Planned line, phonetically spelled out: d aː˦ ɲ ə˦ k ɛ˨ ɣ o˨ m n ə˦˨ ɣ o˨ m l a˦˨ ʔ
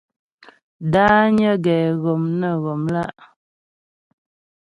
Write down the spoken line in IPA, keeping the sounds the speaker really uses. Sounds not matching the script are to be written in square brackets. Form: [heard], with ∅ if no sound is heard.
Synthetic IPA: d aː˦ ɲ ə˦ [ɡ] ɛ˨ ɣ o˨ m n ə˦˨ ɣ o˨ m l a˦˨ ʔ